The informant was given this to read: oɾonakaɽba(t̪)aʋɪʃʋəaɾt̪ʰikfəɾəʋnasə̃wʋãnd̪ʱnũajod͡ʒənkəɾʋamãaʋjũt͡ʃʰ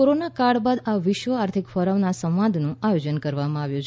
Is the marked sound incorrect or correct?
incorrect